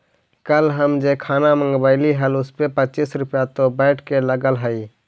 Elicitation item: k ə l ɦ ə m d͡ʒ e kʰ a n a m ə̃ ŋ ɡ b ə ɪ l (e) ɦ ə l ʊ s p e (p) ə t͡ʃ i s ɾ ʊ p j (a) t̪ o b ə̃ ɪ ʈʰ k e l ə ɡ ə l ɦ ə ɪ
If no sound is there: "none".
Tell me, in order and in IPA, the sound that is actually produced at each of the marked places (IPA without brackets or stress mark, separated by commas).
i, p, a